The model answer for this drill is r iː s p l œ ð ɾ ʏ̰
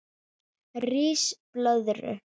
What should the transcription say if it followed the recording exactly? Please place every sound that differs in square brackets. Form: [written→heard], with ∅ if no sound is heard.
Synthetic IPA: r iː s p l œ ð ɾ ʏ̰